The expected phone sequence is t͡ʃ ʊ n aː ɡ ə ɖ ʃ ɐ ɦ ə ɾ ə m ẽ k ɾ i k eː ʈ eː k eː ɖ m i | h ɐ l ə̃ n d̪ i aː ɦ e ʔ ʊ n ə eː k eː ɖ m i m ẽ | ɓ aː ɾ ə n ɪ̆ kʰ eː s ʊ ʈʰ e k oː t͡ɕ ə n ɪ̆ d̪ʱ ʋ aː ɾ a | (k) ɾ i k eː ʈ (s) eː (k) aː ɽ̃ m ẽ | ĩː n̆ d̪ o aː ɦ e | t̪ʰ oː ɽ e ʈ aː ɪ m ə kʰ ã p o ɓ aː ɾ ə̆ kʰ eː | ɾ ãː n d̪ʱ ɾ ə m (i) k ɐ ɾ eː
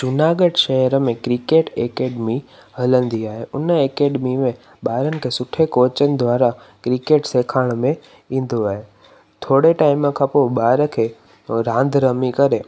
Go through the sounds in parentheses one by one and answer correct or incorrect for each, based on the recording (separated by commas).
correct, correct, incorrect, correct